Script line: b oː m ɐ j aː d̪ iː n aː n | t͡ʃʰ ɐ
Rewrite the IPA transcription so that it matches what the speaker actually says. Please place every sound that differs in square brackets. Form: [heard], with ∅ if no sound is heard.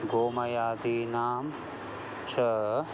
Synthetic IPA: [ɡ] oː m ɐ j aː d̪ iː n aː [m] | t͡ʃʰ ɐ